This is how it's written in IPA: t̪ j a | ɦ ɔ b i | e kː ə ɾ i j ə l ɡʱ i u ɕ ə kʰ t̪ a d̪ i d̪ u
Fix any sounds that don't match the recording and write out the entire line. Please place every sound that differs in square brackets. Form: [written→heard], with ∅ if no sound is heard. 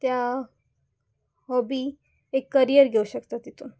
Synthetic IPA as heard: t̪ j a | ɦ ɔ b i | e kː ə ɾ i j ə [l→ɾ] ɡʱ [i→e] u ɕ ə [kʰ→k] t̪ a [d̪→t̪] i [d̪→t̪] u